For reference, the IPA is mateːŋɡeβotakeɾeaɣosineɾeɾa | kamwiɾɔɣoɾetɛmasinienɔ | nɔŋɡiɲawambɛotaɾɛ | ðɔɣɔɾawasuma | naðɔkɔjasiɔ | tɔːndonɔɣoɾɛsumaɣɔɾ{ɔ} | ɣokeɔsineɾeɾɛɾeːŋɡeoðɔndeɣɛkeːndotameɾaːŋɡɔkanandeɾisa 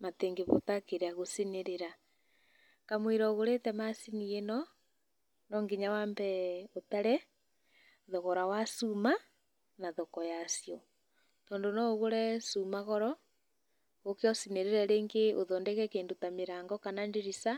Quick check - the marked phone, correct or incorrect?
correct